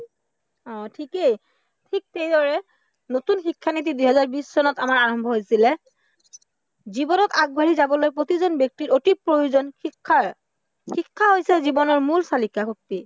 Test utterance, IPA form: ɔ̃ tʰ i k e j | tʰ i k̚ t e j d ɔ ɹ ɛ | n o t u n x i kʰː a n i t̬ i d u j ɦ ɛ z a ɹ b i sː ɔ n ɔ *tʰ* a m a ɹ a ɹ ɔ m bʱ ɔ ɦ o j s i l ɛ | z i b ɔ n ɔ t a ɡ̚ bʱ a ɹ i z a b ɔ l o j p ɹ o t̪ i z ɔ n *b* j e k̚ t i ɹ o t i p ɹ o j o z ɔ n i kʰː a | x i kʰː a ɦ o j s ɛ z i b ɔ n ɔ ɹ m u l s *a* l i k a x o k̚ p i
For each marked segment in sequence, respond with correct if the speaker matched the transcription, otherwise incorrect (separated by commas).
incorrect, correct, correct